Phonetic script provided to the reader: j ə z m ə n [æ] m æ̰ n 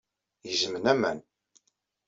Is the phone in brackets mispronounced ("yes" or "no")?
no